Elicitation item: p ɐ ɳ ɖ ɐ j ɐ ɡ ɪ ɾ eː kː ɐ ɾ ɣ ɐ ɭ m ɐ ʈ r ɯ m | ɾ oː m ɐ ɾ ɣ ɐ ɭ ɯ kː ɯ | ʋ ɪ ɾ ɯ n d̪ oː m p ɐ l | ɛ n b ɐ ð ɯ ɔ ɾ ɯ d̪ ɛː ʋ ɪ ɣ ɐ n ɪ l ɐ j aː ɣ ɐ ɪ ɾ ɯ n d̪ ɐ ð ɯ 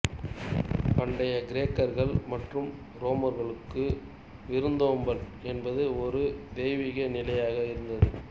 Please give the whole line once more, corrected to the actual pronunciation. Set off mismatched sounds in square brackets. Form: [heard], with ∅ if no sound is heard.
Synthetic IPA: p ɐ ɳ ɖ ɐ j ɐ ɡ ɪ ɾ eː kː ɐ ɾ ɣ ɐ ɭ m ɐ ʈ r ɯ m | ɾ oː m ɐ ɾ ɣ ɐ ɭ ɯ kː ɯ | ʋ ɪ ɾ ɯ n d̪ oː m [b] ɐ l | ɛ n b ɐ ð ɯ ɔ ɾ ɯ d̪ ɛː ʋ ɪ ɣ ɐ n ɪ l ɐ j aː ɣ ɐ ɪ ɾ ɯ n d̪ ɐ ð ɯ

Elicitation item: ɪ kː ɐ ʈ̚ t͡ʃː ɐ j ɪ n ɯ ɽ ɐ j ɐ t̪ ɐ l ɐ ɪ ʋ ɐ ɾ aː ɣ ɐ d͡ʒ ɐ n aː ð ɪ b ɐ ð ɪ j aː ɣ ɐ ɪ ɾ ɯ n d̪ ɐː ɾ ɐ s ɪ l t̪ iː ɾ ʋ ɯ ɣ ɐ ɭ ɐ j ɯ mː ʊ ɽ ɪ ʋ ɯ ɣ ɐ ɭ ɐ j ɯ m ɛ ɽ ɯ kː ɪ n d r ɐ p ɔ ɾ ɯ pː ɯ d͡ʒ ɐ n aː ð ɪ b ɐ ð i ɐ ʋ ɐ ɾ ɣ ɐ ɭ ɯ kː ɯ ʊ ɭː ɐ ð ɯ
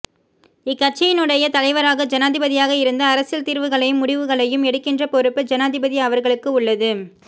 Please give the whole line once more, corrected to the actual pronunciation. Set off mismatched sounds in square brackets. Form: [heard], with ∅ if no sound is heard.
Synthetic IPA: ɪ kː ɐ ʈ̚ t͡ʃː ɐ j ɪ n ɯ ɽ ɐ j ɐ t̪ ɐ l ɐ ɪ ʋ ɐ ɾ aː ɣ ɐ d͡ʒ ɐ n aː ð ɪ b ɐ ð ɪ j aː ɣ ɐ ɪ ɾ ɯ n d̪ ɐː ɾ ɐ s ɪ l t̪ iː ɾ ʋ ɯ ɣ ɐ ɭ ɐ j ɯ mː ʊ ɽ ɪ ʋ ɯ ɣ ɐ ɭ ɐ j ɯ m ɛ ɽ ɯ kː ɪ n d r ɐ p ɔ ɾ ɯ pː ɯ d͡ʒ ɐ n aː ð ɪ b ɐ ð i ɐ ʋ ɐ ɾ ɣ ɐ ɭ ɯ kː ɯ ʊ ɭː ɐ ð ɯ

